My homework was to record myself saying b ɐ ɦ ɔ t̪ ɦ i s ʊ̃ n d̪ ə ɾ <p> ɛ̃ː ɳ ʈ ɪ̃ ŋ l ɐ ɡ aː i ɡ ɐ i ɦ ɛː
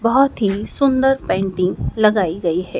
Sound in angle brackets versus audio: correct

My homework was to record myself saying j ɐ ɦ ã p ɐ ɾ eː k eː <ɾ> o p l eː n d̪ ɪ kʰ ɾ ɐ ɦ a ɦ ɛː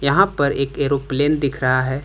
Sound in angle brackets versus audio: correct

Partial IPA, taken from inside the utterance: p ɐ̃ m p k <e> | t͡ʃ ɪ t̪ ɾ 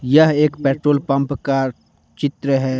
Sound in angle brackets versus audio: incorrect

